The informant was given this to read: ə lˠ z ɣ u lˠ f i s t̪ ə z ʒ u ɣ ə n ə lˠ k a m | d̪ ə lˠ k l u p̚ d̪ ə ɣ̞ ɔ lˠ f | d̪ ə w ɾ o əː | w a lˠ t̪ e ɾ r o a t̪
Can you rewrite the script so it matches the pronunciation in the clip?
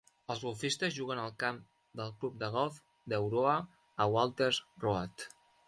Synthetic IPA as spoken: ə lˠ z ɣ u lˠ f i s t̪ ə z ʒ u ɣ ə n ə lˠ k a m | d̪ ə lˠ k l u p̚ d̪ ə ɣ̞ ɔ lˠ f | d̪ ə w ɾ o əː | w a lˠ t̪ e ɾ r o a t̪